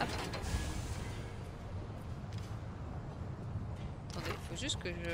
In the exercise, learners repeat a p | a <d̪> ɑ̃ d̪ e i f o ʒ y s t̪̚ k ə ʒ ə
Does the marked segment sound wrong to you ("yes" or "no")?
yes